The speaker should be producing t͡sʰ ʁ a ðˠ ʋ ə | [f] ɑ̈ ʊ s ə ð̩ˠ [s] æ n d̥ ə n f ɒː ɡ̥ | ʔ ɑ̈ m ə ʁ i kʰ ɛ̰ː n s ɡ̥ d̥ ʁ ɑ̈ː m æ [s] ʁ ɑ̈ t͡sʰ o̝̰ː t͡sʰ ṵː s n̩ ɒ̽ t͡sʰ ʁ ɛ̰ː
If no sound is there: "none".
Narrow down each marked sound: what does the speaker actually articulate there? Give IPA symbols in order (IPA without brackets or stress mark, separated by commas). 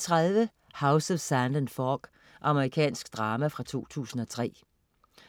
h, s, f